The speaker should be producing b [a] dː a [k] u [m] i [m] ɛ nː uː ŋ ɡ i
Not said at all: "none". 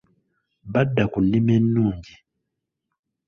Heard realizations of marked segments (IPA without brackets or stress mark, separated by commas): a, k, n, m